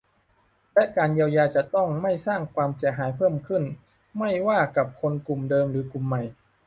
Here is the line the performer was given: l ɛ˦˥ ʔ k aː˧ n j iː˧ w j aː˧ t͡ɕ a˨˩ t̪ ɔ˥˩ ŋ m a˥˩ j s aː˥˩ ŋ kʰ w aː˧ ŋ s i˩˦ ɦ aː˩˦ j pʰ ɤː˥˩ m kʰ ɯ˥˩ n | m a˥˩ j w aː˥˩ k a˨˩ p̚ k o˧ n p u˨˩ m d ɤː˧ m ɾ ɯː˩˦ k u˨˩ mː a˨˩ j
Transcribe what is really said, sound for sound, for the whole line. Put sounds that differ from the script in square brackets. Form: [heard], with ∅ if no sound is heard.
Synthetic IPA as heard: l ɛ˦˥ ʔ k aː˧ n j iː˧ w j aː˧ t͡ɕ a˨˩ t̪ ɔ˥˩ ŋ m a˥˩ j s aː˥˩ ŋ kʰ w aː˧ [m] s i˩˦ ɦ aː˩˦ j pʰ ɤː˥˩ m kʰ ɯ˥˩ n | m a˥˩ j w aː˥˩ k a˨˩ p̚ [kʰ] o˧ n [k] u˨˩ m d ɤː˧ m ɾ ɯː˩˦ k u˨˩ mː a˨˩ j